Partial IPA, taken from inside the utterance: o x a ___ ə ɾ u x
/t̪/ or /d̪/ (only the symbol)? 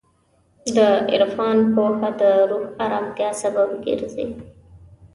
d̪